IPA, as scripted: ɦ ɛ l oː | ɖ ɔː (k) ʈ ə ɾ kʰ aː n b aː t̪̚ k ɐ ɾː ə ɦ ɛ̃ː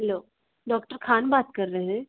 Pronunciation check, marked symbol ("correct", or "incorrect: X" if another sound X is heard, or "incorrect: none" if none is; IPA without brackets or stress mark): correct